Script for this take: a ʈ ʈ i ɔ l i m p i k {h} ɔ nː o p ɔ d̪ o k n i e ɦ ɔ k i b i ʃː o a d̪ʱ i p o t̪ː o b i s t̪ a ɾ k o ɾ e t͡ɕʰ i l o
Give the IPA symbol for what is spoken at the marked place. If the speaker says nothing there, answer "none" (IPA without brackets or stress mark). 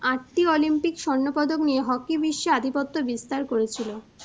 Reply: ʃ